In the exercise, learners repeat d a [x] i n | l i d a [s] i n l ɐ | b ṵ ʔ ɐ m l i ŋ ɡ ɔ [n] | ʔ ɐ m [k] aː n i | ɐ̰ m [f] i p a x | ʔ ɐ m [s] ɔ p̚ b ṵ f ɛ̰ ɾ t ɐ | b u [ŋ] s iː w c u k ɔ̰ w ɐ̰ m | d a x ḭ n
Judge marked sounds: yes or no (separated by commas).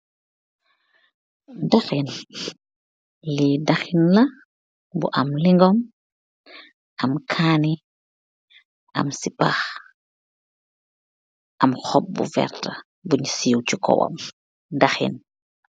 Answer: yes, no, no, no, no, no, no